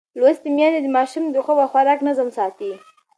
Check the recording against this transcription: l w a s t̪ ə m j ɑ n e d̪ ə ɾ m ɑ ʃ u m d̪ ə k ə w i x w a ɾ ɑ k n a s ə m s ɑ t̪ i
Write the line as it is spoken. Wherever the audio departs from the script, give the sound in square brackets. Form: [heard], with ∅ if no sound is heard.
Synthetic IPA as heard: l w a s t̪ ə m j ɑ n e d̪ ə [∅] m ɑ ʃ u m d̪ ə [x] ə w [a] x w a ɾ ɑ k n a [z] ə m s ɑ t̪ i